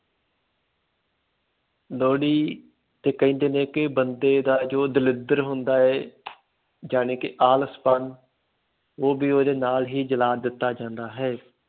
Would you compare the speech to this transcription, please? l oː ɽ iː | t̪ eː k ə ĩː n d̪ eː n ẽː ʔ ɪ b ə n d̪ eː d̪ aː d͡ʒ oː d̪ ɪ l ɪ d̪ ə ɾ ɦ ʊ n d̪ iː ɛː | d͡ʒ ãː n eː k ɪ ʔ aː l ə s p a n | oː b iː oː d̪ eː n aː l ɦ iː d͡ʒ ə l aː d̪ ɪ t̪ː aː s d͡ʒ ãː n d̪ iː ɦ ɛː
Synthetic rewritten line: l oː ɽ iː | t̪ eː k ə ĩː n d̪ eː n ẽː k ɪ b ə n d̪ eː d̪ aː d͡ʒ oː d̪ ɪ l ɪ d̪ ə ɾ ɦ ʊ n d̪ aː ɛː | d͡ʒ aː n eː k ɪ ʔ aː l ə s p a n | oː b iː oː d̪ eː n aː l ɦ iː d͡ʒ ə l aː d̪ ɪ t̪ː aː d͡ʒ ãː n d̪ aː ɦ ɛː